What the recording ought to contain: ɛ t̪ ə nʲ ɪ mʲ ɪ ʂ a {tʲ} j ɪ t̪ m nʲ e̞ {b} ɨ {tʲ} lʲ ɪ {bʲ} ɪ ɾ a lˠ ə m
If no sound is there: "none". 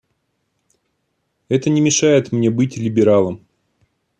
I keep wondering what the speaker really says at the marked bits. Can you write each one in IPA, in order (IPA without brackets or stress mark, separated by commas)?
none, b, tʲ, bʲ